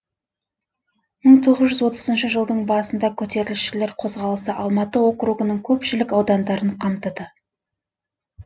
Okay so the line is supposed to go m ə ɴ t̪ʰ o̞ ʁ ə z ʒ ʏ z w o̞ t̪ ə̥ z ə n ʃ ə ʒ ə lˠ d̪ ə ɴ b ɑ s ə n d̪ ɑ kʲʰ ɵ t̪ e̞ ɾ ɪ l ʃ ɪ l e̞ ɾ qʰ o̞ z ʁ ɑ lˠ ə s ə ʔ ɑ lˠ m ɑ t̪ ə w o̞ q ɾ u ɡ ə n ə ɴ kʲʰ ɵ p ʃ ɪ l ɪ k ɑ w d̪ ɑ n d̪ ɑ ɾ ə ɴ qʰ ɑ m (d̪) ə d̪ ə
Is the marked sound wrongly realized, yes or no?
yes